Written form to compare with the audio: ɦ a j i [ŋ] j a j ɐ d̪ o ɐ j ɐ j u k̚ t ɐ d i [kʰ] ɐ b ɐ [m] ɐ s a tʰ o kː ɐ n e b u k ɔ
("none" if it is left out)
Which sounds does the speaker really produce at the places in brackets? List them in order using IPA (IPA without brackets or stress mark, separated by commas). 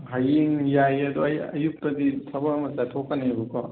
ŋ, tʰ, m